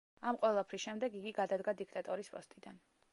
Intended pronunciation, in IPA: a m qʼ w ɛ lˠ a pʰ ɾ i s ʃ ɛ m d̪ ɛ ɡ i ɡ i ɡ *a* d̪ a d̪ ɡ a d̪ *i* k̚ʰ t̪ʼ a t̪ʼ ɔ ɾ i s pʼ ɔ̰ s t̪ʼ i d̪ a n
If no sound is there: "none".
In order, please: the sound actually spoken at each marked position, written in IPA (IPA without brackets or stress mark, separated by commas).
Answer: a, i